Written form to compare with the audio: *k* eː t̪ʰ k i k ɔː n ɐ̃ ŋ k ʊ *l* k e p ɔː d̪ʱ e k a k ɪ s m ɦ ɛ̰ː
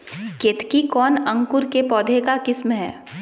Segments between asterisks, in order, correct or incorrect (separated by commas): correct, incorrect